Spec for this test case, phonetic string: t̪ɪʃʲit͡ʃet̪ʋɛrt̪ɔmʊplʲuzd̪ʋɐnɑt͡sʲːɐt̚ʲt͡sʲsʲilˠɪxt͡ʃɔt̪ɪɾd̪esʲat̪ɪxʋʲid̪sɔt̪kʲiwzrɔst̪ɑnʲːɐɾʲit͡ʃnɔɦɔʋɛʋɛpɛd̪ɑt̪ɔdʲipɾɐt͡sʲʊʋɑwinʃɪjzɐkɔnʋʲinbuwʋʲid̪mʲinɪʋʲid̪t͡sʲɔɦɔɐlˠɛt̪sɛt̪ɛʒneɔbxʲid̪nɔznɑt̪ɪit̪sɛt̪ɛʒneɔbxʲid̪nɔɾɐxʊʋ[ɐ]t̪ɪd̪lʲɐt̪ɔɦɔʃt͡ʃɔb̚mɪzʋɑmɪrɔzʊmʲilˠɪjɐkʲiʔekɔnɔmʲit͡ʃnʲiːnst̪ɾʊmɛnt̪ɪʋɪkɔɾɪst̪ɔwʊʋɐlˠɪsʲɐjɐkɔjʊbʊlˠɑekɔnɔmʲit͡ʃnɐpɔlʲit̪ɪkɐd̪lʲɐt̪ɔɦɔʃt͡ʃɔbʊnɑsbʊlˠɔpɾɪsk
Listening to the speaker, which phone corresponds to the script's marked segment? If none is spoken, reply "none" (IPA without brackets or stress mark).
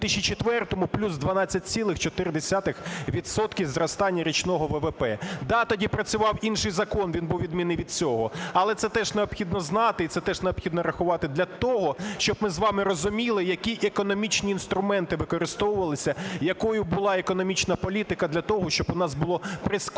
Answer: ɑ